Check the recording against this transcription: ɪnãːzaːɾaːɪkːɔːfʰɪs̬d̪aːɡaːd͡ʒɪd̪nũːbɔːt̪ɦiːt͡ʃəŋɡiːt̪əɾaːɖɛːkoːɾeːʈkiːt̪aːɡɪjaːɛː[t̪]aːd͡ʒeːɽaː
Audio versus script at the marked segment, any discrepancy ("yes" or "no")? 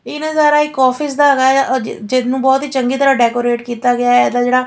yes